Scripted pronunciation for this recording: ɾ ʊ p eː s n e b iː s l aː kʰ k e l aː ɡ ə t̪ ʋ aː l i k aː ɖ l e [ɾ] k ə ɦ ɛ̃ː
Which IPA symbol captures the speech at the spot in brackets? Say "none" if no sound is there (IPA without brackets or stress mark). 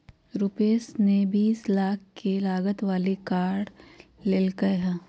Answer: l